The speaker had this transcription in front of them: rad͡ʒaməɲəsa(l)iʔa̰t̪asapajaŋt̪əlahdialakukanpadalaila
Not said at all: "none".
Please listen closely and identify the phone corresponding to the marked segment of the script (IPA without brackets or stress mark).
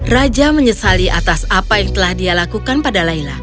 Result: l